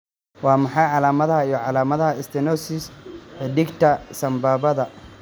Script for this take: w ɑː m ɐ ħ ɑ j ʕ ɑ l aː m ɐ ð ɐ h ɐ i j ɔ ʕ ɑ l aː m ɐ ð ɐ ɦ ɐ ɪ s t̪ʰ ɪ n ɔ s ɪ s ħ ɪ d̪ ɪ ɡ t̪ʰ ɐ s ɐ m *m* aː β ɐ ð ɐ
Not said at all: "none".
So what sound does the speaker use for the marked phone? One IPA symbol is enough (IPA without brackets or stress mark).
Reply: b